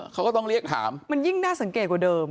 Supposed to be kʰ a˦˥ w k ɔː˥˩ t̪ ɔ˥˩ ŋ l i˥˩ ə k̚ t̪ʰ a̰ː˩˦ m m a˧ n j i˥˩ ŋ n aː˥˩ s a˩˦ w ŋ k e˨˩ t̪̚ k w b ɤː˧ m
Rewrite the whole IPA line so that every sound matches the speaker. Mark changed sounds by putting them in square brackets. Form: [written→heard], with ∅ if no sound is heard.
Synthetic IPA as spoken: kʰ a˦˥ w k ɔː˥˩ t̪ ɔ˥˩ ŋ [l→ɾ] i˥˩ ə k̚ t̪ʰ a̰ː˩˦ m m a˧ n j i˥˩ ŋ n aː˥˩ s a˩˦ [w→∅] ŋ k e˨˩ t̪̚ k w [b→d] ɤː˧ m